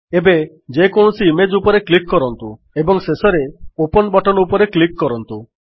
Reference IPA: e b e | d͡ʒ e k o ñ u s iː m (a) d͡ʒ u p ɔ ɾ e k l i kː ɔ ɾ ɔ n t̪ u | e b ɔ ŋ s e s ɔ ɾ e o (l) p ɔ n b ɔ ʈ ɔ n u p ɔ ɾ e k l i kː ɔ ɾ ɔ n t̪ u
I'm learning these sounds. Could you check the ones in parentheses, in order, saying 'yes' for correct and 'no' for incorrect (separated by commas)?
no, no